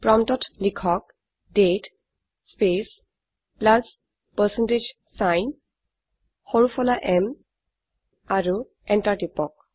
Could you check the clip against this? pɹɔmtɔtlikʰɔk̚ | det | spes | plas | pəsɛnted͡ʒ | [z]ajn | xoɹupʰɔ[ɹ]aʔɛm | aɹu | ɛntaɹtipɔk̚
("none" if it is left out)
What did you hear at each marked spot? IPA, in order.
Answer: s, l

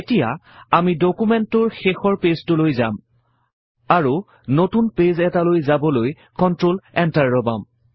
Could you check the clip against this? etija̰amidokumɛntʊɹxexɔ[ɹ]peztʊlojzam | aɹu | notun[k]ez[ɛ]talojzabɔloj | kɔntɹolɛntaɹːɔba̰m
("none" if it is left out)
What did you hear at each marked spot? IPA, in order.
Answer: ɹ, p, ɛ

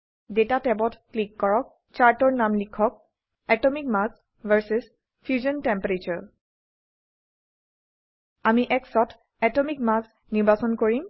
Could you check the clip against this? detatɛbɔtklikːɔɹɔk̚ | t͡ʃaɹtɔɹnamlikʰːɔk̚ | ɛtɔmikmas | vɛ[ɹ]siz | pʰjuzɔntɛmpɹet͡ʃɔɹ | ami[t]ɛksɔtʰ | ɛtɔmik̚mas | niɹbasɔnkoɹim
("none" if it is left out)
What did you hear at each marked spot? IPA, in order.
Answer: ɹ, ʔ

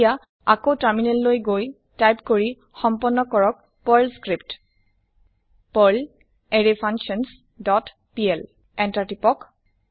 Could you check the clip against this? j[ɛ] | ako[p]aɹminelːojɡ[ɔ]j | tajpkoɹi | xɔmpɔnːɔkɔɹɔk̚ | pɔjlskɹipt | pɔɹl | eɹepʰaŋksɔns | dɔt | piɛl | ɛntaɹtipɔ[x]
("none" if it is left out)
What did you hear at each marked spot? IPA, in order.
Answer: a, t, o, k

